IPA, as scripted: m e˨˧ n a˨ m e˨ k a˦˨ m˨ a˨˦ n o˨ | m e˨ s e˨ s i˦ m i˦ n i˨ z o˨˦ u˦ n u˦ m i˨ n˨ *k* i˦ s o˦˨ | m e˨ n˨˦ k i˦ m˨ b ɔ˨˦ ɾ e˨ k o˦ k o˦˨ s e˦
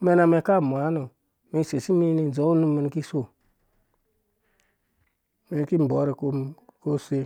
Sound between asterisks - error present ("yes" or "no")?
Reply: no